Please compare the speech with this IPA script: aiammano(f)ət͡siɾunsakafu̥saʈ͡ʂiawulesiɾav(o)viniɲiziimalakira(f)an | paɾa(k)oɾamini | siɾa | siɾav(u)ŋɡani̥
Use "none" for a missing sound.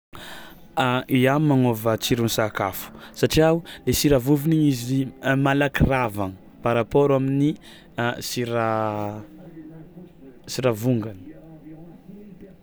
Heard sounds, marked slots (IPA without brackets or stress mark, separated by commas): v, u, v, p, u